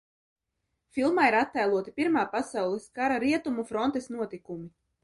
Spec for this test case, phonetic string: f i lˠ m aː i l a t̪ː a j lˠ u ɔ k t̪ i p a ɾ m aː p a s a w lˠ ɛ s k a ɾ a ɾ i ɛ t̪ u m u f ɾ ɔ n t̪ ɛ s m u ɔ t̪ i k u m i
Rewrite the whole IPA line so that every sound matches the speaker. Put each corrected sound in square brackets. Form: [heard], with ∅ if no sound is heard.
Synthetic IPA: f i lˠ m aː i [ɾ] a t̪ː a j lˠ u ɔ [∅] t̪ i p [i] ɾ m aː p a s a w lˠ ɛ s k a ɾ a ɾ i ɛ t̪ u m u f ɾ ɔ n t̪ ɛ s [n] u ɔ t̪ i k u m i